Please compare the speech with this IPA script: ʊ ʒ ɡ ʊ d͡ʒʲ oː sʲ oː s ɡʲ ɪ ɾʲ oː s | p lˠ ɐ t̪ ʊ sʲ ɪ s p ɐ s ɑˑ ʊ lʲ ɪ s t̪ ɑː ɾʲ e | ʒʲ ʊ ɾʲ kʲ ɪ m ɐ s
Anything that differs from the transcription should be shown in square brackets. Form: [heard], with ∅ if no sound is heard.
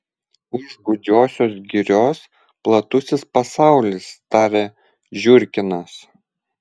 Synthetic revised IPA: ʊ ʒ ɡ ʊ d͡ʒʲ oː sʲ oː s ɡʲ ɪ ɾʲ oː s | p lˠ ɐ t̪ ʊ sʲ ɪ s p ɐ s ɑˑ ʊ lʲ ɪ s t̪ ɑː ɾʲ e | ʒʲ ʊ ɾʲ kʲ ɪ [n] ɐ s